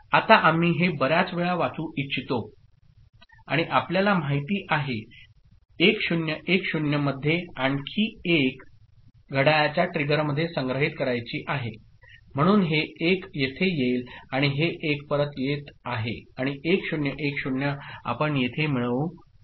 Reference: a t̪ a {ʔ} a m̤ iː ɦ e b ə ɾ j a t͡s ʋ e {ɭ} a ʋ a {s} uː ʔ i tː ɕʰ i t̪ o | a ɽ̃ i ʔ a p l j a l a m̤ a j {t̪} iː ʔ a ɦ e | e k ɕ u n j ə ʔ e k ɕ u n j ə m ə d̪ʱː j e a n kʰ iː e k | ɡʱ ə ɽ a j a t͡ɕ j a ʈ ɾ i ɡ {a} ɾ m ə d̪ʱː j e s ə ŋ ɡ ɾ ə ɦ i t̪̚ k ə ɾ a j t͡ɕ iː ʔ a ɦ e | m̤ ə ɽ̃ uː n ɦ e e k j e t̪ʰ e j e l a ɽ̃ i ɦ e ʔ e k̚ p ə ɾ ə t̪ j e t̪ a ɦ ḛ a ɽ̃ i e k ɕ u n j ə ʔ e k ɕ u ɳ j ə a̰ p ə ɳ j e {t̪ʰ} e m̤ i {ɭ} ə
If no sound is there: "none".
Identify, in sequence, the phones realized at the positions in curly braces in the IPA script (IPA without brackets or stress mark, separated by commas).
ʔ, ɭ, t͡s, t̪, ə, t̪ʰ, ɭ